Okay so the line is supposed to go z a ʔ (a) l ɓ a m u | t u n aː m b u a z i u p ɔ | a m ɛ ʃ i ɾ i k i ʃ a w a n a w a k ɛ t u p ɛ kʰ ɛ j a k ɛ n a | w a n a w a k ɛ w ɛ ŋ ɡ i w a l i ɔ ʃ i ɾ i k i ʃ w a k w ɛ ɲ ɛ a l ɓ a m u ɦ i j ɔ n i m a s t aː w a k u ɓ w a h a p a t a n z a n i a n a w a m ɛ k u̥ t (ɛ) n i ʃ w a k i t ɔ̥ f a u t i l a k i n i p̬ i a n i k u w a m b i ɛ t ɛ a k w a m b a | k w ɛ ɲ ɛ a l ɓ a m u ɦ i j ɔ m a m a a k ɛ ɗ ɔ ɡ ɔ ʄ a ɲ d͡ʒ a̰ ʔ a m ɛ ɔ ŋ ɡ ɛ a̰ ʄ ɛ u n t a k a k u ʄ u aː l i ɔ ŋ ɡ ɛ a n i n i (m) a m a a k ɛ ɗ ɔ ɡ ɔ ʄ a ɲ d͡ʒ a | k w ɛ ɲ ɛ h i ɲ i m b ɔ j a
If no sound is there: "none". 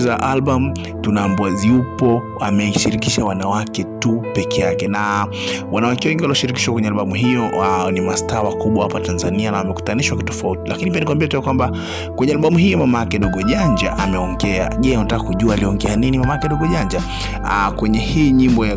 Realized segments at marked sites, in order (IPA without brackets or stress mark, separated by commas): a, a, m